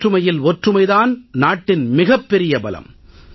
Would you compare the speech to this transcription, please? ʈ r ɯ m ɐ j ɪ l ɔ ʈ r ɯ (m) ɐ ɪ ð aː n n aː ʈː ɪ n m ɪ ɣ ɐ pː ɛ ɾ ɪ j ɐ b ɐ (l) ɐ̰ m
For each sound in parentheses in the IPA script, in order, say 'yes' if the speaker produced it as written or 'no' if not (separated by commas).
yes, yes